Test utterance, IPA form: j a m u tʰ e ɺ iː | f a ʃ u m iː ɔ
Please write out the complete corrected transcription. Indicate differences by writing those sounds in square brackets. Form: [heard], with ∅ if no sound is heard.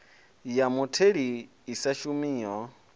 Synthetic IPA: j a m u tʰ e ɺ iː | [s] a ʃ u m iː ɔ